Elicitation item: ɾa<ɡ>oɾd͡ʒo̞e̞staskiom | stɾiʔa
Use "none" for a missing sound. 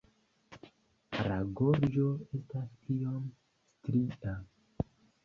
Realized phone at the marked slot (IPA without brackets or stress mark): ɡ